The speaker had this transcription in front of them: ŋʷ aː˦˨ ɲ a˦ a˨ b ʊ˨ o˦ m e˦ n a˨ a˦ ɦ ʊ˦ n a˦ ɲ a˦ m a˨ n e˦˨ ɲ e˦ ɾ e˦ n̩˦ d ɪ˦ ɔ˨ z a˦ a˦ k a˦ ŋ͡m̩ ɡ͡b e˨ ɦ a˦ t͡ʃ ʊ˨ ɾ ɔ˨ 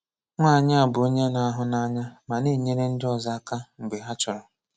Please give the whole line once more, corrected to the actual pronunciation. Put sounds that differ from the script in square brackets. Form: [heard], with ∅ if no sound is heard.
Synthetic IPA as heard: ŋʷ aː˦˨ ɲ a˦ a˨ b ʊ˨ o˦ [ɲ] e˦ n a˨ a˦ ɦ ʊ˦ n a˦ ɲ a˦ m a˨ n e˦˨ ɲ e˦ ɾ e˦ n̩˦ d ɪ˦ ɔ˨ z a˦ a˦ k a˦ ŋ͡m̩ ɡ͡b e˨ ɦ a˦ t͡ʃ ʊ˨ ɾ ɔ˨